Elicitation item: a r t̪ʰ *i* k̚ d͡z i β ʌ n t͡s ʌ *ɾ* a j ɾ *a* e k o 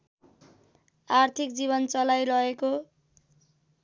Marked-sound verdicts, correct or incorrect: correct, incorrect, incorrect

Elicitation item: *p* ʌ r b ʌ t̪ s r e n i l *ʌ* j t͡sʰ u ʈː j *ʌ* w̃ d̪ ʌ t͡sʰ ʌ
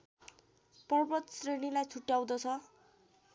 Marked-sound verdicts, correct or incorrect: correct, incorrect, incorrect

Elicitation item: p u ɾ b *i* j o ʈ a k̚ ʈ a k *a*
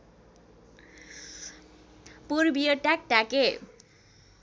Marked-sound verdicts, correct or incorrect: correct, incorrect

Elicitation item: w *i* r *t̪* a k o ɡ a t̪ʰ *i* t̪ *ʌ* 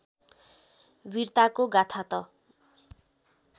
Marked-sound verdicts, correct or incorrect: correct, correct, incorrect, correct

